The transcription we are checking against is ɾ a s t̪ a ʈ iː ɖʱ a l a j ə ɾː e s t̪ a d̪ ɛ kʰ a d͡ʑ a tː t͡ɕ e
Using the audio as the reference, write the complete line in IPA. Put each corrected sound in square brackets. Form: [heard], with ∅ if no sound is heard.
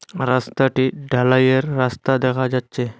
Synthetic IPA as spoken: ɾ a s t̪ a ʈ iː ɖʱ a l a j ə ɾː [a] s t̪ a d̪ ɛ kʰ a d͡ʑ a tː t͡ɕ e